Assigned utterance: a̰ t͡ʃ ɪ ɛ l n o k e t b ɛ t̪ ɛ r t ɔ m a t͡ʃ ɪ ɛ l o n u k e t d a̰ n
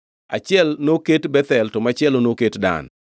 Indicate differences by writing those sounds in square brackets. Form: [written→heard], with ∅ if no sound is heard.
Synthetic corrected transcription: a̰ t͡ʃ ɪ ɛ l n o k e t b ɛ t̪ ɛ [r→l] t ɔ m a t͡ʃ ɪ ɛ l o n [u→o] k e t d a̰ n